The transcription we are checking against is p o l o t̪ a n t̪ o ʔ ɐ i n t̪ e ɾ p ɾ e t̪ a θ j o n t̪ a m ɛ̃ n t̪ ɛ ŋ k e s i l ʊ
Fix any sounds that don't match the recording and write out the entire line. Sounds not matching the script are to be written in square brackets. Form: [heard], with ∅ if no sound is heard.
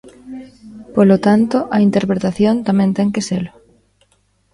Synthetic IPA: p o l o t̪ a n t̪ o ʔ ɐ i n t̪ e ɾ p ɾ e t̪ a θ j o n t̪ a m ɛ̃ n t̪ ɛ ŋ k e s [e] l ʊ